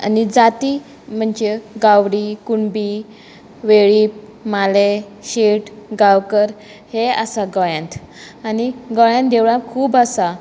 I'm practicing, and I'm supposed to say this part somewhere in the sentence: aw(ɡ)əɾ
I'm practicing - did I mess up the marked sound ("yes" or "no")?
yes